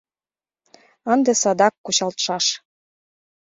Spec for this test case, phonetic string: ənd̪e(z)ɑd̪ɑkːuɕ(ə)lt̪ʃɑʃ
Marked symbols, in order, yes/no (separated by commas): no, no